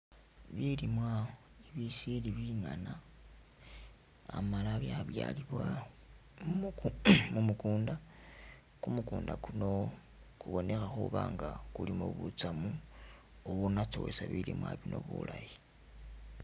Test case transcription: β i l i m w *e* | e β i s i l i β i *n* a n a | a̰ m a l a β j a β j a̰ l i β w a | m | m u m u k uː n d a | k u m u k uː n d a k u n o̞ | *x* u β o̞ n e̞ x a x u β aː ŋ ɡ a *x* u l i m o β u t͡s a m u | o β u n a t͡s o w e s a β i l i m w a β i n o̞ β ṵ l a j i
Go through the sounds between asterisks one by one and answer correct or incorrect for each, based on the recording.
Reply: incorrect: a, incorrect: ŋ, incorrect: k, incorrect: k

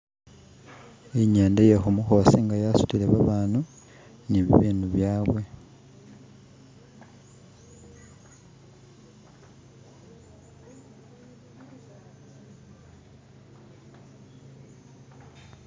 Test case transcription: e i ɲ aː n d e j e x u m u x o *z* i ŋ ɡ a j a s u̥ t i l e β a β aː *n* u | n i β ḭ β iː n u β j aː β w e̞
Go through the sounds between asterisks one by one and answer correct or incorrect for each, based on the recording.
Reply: incorrect: s, correct

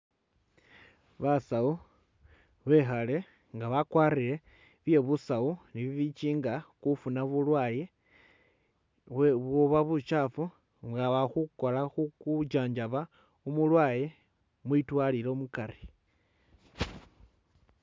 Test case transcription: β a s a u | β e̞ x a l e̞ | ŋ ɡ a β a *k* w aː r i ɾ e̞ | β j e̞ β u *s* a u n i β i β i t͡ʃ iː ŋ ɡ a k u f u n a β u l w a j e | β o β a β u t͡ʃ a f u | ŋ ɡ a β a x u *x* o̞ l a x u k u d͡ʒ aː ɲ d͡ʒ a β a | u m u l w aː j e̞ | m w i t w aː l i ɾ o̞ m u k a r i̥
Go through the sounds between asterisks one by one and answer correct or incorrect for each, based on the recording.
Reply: correct, correct, incorrect: k

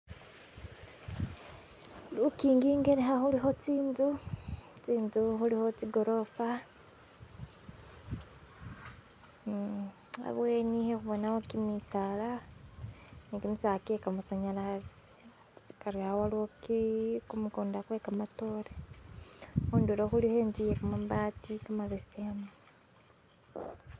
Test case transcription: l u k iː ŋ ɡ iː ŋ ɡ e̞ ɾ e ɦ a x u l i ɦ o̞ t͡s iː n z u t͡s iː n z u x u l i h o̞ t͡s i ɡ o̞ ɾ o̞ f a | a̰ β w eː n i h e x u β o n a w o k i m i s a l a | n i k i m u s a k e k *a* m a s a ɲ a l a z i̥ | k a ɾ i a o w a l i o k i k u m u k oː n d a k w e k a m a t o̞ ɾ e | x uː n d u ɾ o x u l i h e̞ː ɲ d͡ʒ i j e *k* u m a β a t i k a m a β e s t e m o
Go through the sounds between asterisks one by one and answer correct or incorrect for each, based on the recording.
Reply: correct, correct

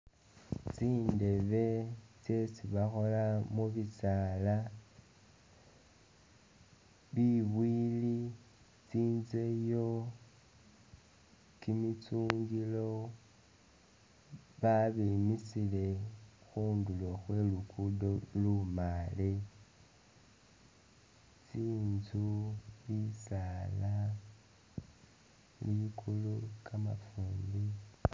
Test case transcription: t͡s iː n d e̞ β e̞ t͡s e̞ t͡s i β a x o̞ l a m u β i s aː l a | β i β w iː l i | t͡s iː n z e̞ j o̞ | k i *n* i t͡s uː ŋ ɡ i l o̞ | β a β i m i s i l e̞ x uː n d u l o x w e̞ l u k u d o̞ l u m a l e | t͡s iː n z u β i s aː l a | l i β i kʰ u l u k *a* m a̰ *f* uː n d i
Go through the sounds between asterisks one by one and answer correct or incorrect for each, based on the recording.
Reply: incorrect: m, correct, correct

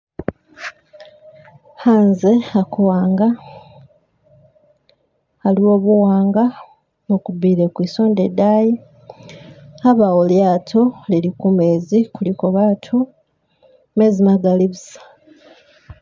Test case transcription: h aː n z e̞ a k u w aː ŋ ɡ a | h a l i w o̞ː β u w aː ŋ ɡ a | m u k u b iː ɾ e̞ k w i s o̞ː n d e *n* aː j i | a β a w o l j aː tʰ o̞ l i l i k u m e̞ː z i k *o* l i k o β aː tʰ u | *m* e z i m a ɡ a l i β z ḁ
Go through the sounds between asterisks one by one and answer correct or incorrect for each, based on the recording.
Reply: incorrect: d, incorrect: u, correct

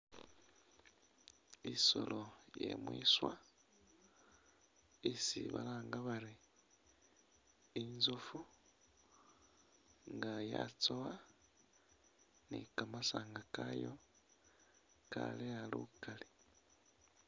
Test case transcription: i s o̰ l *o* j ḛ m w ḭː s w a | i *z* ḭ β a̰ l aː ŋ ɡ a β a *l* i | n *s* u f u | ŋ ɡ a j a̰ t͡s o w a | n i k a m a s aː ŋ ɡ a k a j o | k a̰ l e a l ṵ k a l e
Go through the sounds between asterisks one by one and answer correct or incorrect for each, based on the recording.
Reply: correct, incorrect: s, incorrect: ɾ, incorrect: z

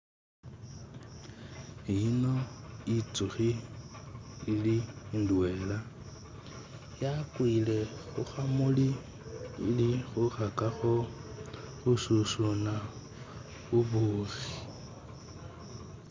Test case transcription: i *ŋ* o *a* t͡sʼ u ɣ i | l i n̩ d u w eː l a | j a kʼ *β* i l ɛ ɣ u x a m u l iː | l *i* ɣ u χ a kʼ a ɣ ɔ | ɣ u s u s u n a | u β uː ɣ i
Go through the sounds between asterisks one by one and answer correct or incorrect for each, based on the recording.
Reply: incorrect: n, incorrect: i, incorrect: w, correct

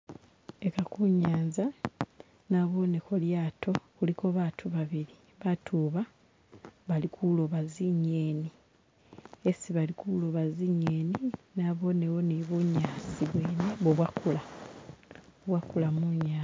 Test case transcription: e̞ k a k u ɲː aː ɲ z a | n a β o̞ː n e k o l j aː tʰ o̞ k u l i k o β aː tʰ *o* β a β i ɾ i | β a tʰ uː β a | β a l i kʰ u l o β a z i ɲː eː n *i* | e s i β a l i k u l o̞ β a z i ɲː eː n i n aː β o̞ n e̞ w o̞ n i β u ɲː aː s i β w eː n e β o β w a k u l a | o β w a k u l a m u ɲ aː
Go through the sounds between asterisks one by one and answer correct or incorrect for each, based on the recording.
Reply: incorrect: u, correct

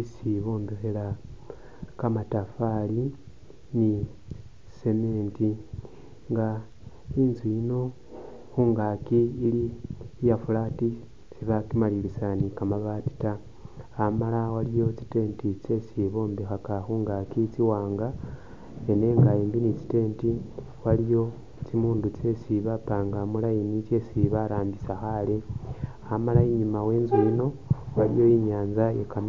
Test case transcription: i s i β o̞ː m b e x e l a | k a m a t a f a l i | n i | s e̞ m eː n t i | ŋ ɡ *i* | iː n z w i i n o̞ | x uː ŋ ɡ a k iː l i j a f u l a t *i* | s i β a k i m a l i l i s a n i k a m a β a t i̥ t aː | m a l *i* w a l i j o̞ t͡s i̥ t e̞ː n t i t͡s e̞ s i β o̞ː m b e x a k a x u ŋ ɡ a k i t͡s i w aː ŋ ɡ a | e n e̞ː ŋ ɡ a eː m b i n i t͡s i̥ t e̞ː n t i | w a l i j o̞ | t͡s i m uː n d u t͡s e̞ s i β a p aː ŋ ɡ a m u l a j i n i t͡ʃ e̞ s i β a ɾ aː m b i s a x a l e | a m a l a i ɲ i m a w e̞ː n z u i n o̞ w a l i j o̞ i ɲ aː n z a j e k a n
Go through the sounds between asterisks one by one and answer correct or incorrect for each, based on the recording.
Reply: incorrect: a, correct, incorrect: a

